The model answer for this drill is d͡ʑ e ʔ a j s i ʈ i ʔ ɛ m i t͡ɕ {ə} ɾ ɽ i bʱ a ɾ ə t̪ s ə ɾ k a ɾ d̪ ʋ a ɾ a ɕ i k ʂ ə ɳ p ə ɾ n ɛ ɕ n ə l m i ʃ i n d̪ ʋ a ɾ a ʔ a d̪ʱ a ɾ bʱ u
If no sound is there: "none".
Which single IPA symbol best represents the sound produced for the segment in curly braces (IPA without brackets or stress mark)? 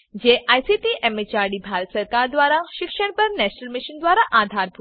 a